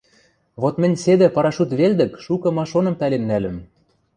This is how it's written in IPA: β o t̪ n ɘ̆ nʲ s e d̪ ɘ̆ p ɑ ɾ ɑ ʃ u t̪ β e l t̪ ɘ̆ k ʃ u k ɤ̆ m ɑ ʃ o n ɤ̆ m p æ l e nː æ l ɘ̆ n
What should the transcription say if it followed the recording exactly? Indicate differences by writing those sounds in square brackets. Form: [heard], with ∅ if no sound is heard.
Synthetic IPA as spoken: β o t̪ [m] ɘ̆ nʲ s e d̪ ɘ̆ p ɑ ɾ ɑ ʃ u t̪ β e l [d̪] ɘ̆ k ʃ u k ɤ̆ m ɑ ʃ o n ɤ̆ m p æ l e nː æ l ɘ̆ [m]

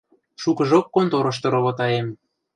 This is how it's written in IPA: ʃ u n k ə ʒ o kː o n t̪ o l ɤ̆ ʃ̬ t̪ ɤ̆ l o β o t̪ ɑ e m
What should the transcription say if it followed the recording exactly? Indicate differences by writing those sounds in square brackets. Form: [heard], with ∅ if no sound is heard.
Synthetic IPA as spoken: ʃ u [∅] k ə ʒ o kː o n t̪ o [ɾ] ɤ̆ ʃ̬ t̪ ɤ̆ [ɾ] o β o t̪ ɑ e m

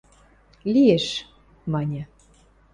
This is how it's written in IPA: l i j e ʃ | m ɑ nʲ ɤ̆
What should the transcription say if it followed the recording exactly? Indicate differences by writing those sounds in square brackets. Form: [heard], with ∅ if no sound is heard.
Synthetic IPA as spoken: l i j e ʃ | m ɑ nʲ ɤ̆

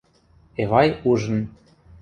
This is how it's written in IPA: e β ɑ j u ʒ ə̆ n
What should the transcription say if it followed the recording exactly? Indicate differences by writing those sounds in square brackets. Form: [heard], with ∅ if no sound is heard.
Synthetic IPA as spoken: e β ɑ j u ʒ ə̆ n

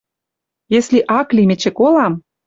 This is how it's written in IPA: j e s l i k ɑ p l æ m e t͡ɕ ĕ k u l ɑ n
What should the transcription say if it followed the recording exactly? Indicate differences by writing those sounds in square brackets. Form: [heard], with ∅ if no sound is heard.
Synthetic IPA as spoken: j e s l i [ʔ] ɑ [k] l [i] m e t͡ɕ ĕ k [o] l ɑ [m]

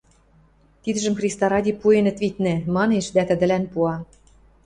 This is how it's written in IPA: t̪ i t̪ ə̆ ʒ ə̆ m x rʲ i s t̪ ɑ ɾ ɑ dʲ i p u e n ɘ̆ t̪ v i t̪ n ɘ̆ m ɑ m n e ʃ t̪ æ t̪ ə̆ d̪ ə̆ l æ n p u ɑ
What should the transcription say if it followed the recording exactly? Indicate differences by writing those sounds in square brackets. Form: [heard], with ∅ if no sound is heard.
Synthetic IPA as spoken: t̪ i [d̪] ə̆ ʒ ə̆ m x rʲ i s t̪ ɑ ɾ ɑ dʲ i p u e n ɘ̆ t̪ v i t̪ n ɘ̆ m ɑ [∅] n e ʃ [d̪] æ t̪ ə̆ d̪ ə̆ l æ n p u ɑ

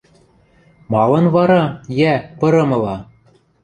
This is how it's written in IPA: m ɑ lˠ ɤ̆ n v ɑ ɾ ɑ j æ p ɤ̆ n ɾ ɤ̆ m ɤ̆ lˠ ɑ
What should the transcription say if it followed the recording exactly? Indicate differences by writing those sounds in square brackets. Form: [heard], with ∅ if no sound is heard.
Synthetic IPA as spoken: m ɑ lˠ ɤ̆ n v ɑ ɾ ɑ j æ p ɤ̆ [∅] ɾ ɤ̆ m ɤ̆ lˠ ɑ

